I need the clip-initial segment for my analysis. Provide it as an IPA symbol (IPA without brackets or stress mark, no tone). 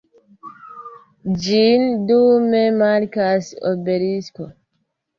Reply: d͡ʒ